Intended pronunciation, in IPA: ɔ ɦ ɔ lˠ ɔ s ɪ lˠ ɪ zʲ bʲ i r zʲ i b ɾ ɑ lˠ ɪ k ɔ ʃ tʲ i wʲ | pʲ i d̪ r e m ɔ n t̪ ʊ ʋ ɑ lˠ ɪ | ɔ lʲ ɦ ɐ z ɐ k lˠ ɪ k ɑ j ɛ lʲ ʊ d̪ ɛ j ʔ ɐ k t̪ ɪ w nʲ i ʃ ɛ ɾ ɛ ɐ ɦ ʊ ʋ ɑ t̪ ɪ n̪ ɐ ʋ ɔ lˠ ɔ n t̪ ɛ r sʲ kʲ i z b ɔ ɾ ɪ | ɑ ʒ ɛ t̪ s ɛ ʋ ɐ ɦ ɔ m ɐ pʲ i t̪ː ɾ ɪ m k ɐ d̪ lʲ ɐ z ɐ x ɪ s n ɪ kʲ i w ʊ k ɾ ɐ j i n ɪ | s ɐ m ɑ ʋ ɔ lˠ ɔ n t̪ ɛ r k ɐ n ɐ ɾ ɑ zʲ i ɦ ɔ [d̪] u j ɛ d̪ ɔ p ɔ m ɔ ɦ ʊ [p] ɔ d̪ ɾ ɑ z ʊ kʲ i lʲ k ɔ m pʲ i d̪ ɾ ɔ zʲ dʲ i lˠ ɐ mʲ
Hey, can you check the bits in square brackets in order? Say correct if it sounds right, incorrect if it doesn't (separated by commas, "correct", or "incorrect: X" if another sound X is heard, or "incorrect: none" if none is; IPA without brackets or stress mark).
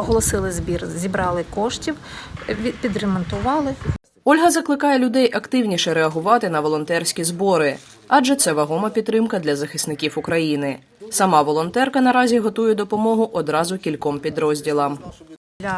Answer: incorrect: t̪, incorrect: ʔ